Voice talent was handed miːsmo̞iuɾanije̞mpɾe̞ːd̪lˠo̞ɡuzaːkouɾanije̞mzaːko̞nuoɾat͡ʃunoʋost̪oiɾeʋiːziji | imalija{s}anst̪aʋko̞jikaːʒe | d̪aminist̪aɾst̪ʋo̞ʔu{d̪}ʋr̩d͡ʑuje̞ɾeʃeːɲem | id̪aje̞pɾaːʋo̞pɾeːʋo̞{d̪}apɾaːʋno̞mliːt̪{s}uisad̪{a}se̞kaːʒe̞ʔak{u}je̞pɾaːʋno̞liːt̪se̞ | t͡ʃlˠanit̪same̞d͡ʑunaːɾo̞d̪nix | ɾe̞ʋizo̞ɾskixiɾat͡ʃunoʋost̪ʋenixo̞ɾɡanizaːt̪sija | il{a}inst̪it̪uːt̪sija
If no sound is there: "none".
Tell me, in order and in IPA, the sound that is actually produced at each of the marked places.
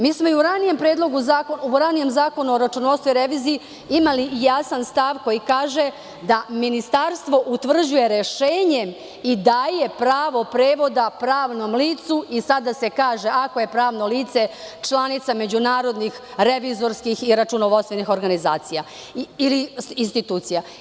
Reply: s, t̪, d̪, s, a, o, i

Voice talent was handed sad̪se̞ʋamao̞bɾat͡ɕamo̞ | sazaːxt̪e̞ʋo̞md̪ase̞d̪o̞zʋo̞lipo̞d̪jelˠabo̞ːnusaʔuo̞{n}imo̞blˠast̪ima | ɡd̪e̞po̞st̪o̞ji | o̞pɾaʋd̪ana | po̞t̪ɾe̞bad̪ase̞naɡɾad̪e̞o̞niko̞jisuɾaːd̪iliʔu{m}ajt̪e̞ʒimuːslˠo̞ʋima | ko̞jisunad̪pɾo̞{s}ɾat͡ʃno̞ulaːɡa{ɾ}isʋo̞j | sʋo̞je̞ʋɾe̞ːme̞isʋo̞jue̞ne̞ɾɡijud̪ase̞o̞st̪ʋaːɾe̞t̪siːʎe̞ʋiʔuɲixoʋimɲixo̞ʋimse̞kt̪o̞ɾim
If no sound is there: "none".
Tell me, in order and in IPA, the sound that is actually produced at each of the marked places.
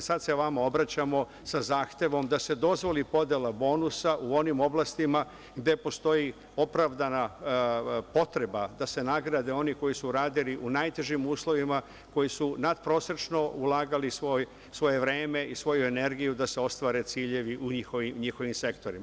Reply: n, n, s, l

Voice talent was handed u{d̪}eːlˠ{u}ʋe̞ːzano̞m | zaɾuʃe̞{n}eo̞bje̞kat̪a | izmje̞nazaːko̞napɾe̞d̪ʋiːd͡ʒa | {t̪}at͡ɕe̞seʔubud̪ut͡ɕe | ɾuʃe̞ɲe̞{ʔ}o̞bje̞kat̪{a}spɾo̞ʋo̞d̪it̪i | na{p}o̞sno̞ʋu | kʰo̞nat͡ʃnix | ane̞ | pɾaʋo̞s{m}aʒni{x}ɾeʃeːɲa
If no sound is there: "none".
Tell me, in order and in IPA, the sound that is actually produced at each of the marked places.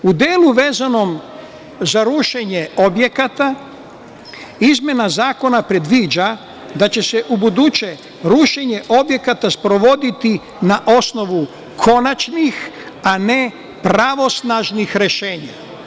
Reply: d̪, u, ɲ, d̪, ʔ, a, ʔ, n, x

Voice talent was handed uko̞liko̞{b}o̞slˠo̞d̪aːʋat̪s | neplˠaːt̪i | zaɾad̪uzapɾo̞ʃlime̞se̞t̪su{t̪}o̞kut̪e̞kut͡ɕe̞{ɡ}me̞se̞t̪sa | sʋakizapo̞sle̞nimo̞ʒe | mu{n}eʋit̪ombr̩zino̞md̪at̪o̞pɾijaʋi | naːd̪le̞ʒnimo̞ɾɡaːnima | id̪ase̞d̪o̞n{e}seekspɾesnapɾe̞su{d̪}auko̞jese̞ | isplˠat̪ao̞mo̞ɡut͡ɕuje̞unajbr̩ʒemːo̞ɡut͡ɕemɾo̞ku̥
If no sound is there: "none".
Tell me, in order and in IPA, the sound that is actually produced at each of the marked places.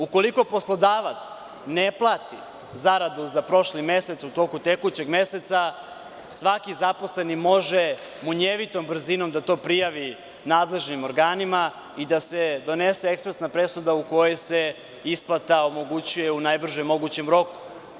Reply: p, t̪, ɡ, ɲ, e, d̪

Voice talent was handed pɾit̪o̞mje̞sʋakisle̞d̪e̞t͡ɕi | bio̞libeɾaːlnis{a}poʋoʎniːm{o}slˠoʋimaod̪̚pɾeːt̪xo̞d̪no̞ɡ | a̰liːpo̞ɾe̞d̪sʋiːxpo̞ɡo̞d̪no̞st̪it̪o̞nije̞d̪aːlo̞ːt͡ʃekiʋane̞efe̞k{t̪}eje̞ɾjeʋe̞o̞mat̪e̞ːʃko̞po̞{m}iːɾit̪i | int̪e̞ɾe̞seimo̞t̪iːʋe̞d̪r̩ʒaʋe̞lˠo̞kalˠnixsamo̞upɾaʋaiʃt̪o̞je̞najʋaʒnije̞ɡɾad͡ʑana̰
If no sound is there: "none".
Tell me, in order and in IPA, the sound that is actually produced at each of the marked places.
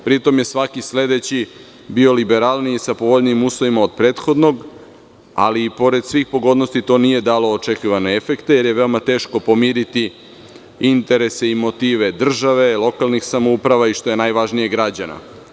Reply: a, u, t̪, m

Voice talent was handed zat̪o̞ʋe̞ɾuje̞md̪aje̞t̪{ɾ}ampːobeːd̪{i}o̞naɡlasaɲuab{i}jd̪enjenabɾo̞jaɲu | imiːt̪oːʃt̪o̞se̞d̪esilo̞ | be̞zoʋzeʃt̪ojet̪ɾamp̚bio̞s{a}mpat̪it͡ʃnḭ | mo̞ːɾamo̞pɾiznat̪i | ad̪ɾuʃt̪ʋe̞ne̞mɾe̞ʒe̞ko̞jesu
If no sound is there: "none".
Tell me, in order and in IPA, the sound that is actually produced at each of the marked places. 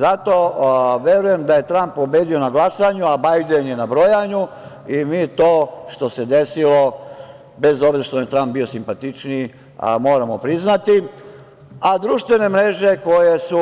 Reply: ɾ, i, a, i

